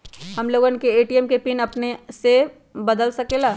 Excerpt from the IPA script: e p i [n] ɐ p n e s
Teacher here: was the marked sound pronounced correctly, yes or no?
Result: yes